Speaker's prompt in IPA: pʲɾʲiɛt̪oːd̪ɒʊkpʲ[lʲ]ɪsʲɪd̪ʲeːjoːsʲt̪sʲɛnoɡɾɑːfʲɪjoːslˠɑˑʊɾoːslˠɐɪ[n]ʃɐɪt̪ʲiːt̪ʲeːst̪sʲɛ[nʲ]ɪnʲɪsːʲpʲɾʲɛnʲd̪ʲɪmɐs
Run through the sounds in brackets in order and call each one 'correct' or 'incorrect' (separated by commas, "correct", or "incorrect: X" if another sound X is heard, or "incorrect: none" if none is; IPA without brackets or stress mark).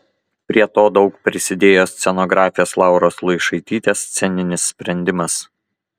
incorrect: ɾʲ, incorrect: none, correct